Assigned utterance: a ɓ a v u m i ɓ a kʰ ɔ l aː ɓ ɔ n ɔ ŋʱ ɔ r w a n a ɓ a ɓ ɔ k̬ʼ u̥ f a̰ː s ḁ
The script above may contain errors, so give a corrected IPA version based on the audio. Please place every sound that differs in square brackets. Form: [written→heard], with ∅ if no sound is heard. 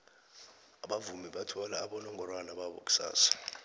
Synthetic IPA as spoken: a ɓ a v u m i ɓ a [kʰ→tʰ] ɔ l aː ɓ ɔ n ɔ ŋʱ ɔ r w a n a ɓ a ɓ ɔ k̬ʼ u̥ [f→s] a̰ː s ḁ

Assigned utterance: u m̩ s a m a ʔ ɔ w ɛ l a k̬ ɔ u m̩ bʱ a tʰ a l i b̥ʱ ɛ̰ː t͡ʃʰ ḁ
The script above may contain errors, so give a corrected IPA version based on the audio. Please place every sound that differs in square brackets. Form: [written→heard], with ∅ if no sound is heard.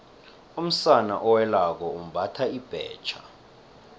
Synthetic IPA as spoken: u m̩ s a [m→n] a ʔ ɔ w ɛ l a k̬ ɔ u m̩ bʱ a tʰ a [l→∅] i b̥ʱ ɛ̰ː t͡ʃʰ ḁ

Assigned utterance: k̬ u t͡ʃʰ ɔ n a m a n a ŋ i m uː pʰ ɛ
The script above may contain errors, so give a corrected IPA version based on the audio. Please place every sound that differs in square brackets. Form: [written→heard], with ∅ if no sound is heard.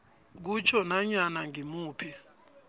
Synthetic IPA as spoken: k̬ u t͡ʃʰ ɔ n a [m→ɲ] a n a ŋ i m uː pʰ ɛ

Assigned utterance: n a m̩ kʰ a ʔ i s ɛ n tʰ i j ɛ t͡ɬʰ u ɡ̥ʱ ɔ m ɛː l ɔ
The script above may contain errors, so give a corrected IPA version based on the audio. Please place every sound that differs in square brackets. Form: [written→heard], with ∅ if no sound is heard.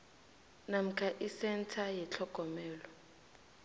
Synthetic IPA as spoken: n a m̩ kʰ a ʔ i s ɛ n tʰ [i→a] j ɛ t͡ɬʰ [u→ɔ] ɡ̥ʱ ɔ m ɛː l ɔ

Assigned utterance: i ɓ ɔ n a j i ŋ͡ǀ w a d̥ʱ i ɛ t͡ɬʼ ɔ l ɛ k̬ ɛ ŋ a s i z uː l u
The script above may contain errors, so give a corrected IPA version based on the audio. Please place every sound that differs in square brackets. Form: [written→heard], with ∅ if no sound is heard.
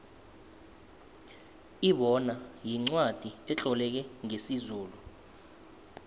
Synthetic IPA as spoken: i ɓ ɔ n a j i ŋ͡ǀ w a d̥ʱ i ɛ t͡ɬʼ ɔ l ɛ k̬ ɛ ŋ [a→e] s i z uː l u

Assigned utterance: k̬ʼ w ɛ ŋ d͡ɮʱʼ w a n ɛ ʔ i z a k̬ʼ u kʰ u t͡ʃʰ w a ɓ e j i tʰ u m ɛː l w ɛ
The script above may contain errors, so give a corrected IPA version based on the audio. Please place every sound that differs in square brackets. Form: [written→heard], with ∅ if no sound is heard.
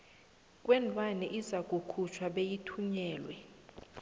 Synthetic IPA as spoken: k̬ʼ w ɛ [ŋ→n] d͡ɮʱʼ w a n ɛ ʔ i z a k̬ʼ u kʰ u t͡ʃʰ w a ɓ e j i tʰ u [m→ɲ] ɛː l w ɛ

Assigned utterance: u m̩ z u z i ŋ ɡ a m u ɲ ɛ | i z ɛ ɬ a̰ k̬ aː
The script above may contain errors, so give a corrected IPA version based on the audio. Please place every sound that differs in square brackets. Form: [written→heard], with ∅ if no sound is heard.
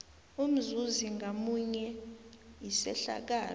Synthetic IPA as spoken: u m̩ z u z i ŋ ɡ a m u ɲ ɛ | i [z→s] ɛ ɬ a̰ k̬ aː

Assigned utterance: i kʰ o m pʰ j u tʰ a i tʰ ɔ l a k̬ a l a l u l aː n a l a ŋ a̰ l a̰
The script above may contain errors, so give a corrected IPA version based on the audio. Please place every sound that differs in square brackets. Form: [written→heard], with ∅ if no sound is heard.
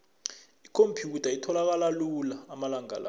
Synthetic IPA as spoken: i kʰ o m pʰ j u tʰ a i tʰ ɔ l a k̬ a l a l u l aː [n→m] a l a ŋ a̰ l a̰

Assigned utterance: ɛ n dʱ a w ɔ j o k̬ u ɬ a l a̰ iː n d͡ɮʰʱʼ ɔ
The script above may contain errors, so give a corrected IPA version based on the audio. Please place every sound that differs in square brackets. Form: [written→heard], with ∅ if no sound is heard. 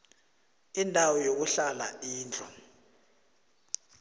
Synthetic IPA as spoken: [ɛ→i] n dʱ a w ɔ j o k̬ u ɬ a l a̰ iː n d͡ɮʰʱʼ ɔ

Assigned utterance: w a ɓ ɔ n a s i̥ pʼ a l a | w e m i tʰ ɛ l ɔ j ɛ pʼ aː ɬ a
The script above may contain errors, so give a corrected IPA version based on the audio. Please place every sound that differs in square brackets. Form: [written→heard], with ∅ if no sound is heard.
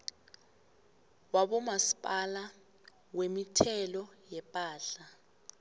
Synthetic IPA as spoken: w a ɓ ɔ [n→m] a s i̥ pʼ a l a | w e m i tʰ ɛ l ɔ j ɛ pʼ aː ɬ a

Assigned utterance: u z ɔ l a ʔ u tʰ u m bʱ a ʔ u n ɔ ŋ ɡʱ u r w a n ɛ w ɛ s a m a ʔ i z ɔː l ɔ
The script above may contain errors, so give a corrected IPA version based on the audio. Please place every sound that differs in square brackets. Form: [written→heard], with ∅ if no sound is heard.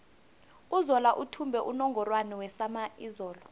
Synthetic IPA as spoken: u z ɔ l a ʔ u tʰ u m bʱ [a→ɛ] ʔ u n ɔ ŋ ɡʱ [u→ɔ] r w a n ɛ w ɛ s a m a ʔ i z ɔː l ɔ

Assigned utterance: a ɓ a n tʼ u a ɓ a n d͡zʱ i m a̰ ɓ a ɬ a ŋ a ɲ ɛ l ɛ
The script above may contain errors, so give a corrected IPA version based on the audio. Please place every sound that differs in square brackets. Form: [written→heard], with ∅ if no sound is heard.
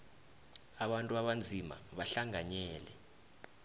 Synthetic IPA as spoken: a ɓ a n tʼ u a ɓ a n d͡zʱ i m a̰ ɓ a ɬ a ŋ a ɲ [ɛ→ɛː] l ɛ

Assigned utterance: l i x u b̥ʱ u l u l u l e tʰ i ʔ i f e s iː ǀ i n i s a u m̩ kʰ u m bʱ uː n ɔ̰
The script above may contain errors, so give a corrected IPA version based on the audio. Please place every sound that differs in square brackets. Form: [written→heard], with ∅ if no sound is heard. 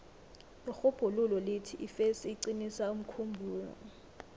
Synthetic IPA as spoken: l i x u b̥ʱ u l u l [u→ɔ] l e tʰ i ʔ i f e s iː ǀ i n i s a u m̩ kʰ u m bʱ uː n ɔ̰

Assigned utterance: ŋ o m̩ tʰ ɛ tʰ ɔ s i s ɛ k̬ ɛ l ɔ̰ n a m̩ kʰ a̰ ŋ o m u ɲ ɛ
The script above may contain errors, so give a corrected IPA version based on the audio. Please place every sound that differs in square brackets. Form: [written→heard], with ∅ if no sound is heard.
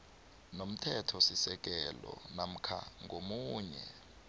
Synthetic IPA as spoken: [ŋ→n] o m̩ tʰ ɛ tʰ ɔ s i s ɛ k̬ ɛ l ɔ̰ n a m̩ kʰ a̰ ŋ o m [u→uː] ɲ ɛ

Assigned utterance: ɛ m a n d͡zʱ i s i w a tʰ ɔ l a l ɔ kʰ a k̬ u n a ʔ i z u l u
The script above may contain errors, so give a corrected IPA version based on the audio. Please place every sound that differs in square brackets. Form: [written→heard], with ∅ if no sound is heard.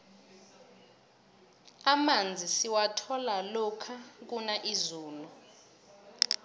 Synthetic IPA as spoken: [ɛ→a] m a n d͡zʱ i s i w a tʰ ɔ l a l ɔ kʰ a k̬ u n a ʔ i z [u→uː] l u

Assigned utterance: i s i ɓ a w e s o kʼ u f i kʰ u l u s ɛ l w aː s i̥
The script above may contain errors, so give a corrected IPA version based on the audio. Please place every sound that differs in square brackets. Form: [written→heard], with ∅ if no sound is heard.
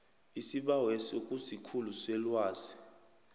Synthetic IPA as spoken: i s i ɓ a w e s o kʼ u [f→s] i kʰ u l u s ɛ l w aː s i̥

